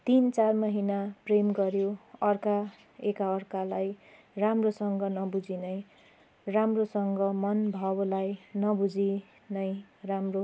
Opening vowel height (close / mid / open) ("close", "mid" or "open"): close